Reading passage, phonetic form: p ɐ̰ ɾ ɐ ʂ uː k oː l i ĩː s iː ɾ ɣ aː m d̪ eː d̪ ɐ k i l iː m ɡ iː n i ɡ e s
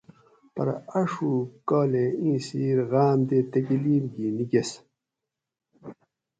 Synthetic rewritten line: p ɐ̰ ɾ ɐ ʂ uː k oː l e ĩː s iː ɾ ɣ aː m d̪ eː t̪ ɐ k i l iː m ɡ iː n i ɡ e s